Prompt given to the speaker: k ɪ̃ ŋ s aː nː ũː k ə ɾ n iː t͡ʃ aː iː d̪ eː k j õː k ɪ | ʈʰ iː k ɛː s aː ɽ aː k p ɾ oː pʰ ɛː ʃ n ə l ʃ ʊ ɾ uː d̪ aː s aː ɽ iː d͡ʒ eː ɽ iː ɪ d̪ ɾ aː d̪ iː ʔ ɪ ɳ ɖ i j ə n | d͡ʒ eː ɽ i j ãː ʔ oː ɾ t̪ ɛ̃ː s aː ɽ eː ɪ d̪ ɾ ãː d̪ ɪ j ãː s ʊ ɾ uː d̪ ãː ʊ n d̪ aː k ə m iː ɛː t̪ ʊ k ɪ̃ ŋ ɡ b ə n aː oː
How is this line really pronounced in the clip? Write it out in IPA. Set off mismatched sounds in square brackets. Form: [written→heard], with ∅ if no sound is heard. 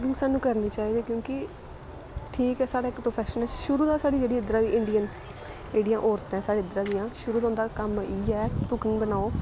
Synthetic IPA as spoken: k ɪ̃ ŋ s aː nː ũː k ə ɾ n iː t͡ʃ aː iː d̪ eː k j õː k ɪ | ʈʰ iː k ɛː s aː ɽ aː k p ɾ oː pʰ ɛː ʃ n ə l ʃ ʊ ɾ uː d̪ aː s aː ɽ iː d͡ʒ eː ɽ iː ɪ d̪ ɾ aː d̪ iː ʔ ɪ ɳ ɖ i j ə n | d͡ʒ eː ɽ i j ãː ʔ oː ɾ t̪ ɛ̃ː s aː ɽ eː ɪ d̪ ɾ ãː d̪ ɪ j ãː [s→ʃ] ʊ ɾ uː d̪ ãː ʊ n d̪ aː k ə m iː ɛː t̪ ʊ k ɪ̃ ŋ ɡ b ə n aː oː